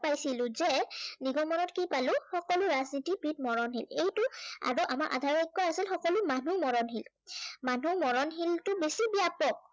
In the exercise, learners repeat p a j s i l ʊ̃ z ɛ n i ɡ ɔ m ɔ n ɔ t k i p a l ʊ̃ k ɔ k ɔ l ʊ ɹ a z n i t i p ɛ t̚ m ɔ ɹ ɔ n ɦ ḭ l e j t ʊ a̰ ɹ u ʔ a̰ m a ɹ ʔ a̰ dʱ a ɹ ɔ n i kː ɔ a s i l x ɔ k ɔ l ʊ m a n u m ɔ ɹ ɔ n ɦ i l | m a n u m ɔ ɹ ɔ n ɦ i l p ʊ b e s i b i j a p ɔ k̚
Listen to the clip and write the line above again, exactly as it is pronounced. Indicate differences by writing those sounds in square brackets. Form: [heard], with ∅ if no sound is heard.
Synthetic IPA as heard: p a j s i l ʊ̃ z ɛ n i ɡ ɔ m ɔ n ɔ t k i p a l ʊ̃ [x] ɔ k ɔ l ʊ ɹ a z n i t i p [i] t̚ m ɔ ɹ ɔ n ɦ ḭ l e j t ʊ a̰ ɹ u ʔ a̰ m a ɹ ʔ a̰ dʱ a ɹ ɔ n i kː ɔ a s i l x ɔ k ɔ l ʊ m a n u m ɔ ɹ ɔ n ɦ i l | m a n u m ɔ ɹ ɔ n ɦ i l [t] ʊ b e s i b i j a p ɔ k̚